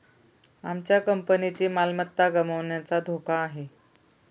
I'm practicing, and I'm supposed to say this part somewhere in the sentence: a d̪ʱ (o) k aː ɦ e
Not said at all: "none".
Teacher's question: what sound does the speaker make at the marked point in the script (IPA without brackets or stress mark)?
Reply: o